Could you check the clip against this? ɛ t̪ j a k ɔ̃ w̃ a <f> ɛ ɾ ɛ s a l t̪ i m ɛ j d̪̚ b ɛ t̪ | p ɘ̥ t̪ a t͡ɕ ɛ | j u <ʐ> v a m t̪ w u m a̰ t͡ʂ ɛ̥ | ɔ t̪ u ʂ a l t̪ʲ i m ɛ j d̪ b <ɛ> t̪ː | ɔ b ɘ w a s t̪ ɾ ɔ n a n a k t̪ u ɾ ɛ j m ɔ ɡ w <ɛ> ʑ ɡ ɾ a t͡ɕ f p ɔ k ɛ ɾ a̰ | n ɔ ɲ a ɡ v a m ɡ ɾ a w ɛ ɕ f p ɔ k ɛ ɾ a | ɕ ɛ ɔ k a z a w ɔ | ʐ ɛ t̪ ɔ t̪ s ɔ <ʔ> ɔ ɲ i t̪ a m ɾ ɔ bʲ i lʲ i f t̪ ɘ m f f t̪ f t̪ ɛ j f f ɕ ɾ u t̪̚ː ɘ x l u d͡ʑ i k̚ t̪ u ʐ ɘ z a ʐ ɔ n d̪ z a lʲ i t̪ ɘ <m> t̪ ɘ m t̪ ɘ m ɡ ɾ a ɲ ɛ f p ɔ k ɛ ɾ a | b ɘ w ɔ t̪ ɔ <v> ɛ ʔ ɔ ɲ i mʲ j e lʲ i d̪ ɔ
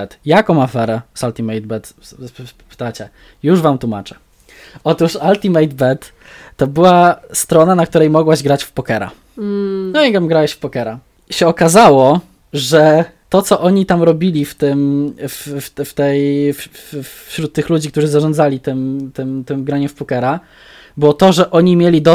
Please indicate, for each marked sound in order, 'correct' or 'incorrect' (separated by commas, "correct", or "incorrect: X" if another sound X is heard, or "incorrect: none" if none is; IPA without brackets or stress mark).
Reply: correct, correct, correct, incorrect: a, correct, correct, incorrect: ʐ